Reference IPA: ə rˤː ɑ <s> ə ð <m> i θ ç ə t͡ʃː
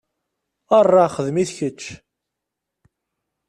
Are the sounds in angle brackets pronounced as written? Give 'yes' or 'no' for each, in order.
no, yes

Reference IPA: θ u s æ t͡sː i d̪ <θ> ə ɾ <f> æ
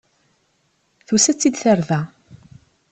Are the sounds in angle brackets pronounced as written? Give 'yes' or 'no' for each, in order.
yes, no

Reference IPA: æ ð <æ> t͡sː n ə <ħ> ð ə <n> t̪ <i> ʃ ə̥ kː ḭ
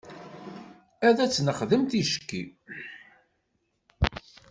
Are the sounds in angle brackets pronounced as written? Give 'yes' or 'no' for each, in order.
yes, no, no, yes

